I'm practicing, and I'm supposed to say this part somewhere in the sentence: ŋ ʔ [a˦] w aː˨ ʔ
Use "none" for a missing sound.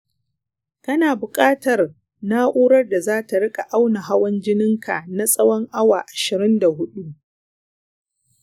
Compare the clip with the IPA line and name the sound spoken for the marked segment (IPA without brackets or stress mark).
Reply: a˦